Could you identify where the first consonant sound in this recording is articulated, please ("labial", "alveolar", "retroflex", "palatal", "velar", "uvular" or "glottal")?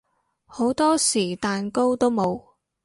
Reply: glottal